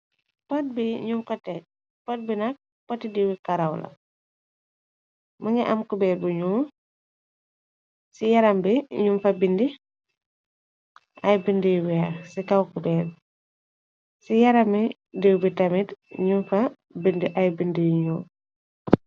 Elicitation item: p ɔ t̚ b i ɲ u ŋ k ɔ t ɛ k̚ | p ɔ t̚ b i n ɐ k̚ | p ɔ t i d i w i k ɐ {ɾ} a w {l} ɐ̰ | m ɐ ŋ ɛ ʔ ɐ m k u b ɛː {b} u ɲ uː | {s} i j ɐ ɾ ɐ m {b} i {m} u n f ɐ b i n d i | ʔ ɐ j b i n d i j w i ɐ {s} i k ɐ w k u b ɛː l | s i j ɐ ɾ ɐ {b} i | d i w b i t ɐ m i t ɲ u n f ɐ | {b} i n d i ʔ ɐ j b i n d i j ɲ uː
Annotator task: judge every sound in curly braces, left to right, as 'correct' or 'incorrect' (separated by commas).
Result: correct, correct, correct, correct, correct, incorrect, correct, incorrect, correct